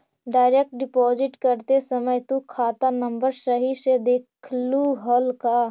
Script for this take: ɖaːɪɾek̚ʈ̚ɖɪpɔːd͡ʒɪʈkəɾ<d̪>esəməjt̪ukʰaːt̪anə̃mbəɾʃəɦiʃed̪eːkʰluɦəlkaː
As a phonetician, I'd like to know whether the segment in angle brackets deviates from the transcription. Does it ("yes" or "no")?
yes